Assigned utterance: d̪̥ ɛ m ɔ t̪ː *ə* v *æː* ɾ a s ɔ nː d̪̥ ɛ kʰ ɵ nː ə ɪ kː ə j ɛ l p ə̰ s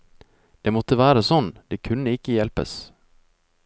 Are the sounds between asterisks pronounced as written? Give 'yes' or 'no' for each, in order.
yes, yes

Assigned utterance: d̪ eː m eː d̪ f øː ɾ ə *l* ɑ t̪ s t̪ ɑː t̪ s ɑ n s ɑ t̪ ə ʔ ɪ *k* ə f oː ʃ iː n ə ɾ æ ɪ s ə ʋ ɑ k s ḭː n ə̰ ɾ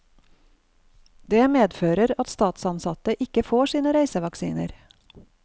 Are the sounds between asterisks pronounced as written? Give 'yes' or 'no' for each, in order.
no, yes

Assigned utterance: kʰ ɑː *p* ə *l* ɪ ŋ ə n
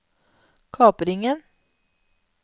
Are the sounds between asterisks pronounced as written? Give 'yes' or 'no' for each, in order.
yes, no

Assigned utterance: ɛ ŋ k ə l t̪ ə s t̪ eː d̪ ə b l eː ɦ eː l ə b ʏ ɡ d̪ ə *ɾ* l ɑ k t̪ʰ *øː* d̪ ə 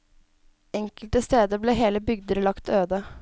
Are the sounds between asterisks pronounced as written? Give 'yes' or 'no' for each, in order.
yes, yes

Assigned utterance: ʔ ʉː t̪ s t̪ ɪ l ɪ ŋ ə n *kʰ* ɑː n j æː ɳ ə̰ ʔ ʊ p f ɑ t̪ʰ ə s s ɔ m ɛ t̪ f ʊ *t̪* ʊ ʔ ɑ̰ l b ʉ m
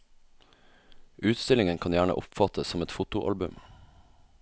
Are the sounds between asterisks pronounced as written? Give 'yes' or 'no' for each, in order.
yes, yes

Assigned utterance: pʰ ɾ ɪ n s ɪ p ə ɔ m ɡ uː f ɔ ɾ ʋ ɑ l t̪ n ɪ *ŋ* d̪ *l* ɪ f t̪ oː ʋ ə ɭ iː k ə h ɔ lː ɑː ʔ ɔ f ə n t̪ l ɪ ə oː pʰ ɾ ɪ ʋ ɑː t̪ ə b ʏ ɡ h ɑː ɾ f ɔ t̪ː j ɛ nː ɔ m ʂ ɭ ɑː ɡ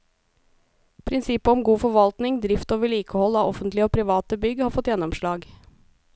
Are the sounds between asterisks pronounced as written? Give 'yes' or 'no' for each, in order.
yes, no

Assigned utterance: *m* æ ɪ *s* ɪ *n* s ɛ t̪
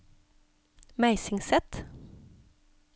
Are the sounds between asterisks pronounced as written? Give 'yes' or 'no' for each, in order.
yes, yes, no

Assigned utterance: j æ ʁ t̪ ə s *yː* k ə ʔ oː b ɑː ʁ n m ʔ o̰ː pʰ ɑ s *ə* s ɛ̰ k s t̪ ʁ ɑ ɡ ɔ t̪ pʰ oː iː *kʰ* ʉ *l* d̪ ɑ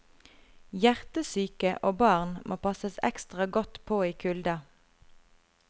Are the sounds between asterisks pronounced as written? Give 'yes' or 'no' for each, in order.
yes, yes, yes, yes

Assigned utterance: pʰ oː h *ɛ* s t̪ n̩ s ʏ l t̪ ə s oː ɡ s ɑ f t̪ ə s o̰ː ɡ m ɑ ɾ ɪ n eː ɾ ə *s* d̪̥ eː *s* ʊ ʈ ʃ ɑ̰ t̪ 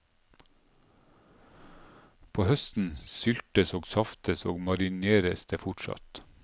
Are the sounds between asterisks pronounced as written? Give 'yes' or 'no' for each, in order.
no, yes, no

